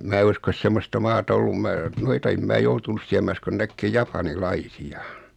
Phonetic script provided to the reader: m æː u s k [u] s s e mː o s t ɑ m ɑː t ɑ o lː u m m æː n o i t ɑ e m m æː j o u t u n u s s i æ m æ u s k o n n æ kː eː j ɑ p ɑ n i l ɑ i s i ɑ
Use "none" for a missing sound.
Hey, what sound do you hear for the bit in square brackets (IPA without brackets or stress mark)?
o